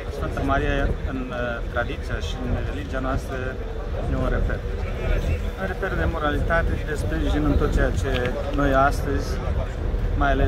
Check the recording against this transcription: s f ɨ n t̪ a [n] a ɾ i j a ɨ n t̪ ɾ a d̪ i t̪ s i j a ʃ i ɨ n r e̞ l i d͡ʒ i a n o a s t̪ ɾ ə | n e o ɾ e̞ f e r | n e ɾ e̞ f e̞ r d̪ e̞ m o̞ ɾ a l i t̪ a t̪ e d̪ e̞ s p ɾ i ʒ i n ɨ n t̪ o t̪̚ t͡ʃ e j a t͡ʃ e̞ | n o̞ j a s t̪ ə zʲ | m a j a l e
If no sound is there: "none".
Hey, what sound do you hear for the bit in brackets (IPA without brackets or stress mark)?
m